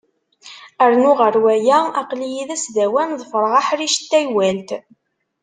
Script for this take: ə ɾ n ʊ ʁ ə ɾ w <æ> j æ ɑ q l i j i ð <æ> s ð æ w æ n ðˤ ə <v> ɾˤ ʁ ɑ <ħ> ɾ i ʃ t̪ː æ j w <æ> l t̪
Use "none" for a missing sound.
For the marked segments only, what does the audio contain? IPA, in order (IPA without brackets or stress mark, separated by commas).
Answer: æ, æ, f, ħ, æ